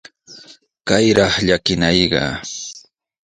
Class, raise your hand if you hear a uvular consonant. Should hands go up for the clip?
yes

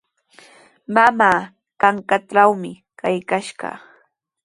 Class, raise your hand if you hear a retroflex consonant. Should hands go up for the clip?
yes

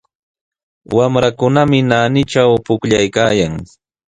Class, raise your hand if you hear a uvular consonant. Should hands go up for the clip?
no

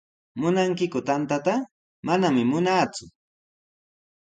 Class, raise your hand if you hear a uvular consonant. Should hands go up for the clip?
no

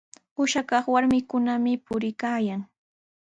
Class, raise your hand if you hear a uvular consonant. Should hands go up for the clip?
yes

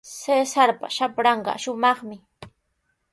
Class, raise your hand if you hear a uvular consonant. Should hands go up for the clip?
yes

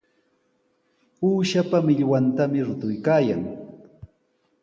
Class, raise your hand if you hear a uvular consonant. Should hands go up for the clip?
no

